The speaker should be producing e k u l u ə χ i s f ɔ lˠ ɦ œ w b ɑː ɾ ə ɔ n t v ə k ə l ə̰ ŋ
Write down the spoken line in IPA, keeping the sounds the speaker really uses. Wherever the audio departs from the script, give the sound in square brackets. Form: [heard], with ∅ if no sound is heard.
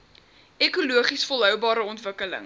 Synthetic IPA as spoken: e k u l u ə χ i s f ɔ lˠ ɦ œ w b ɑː ɾ ə ɔ n t v ə k ə l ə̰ ŋ

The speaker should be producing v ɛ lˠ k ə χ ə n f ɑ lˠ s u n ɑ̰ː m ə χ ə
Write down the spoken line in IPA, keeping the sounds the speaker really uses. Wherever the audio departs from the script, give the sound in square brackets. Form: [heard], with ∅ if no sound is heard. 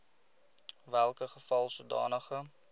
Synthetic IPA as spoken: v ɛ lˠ k ə χ ə [∅] f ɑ lˠ s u [d] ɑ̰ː [n] ə χ ə

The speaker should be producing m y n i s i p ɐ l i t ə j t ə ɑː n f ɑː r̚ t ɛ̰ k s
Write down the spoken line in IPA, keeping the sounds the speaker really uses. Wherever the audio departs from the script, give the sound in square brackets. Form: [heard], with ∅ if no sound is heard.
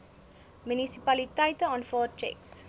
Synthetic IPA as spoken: m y n i s i p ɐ l i t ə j t ə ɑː n f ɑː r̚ [t͡ʃ] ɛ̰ k s

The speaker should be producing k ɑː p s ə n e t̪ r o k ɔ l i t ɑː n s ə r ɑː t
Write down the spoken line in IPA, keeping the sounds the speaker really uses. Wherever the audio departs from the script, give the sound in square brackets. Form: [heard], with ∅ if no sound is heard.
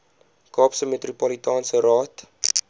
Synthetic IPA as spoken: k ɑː p s ə [m] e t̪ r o [p] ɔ l i t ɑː n s ə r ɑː t

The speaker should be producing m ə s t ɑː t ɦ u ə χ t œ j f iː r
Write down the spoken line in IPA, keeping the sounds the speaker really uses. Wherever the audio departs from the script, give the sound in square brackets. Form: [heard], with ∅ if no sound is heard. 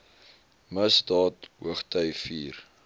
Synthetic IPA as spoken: m ə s [d] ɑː t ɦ u ə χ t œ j f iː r

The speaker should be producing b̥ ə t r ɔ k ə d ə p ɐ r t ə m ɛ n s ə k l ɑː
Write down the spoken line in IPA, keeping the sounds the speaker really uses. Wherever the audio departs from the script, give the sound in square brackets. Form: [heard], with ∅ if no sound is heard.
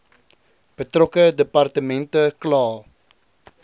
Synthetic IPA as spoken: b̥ ə t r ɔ k ə d ə p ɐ r t ə m ɛ n [t] ə k l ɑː

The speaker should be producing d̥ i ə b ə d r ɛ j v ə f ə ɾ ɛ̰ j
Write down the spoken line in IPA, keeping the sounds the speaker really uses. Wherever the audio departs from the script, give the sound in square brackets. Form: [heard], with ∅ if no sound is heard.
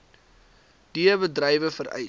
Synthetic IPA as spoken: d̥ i ə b ə d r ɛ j v ə f ə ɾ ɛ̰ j

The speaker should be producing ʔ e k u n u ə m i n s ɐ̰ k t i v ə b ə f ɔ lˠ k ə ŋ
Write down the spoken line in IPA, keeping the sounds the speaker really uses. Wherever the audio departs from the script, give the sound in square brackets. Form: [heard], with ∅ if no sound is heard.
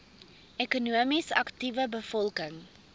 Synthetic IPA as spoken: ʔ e k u n u ə m i [∅] s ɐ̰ k t i v ə b ə f ɔ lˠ k ə ŋ

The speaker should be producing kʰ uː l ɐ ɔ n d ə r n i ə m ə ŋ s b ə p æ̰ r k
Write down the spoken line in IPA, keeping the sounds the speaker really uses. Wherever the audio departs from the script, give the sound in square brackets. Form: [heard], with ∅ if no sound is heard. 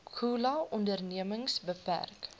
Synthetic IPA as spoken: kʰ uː l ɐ ɔ n d ə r n i ə m ə ŋ s b ə p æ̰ r k

